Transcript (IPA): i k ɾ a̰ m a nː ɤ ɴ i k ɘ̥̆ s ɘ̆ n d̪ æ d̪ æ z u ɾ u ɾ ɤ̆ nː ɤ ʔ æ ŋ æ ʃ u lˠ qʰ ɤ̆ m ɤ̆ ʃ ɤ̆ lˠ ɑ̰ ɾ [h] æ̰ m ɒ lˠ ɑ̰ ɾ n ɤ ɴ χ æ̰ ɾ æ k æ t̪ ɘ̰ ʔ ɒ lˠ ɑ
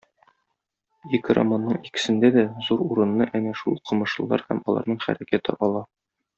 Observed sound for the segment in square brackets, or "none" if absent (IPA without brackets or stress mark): h